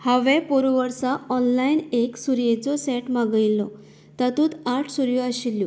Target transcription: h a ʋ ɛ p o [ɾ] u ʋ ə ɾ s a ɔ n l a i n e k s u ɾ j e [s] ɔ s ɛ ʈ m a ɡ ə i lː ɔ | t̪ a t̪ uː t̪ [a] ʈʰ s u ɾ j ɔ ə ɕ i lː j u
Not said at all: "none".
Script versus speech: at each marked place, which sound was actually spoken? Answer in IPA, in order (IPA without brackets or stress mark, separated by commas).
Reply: ɾ, t͡s, a